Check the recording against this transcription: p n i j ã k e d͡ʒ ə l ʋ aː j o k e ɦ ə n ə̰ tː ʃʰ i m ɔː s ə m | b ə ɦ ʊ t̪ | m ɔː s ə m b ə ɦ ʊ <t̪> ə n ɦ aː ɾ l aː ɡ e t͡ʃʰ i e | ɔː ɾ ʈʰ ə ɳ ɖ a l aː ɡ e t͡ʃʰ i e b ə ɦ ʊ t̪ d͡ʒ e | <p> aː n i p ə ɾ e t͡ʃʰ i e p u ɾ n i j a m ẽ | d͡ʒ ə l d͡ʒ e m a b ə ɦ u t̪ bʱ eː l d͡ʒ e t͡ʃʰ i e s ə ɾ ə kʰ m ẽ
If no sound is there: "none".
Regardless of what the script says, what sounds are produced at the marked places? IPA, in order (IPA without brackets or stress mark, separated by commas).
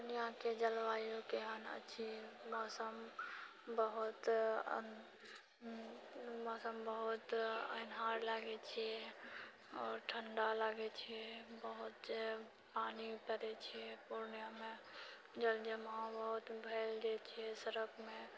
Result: t̪, p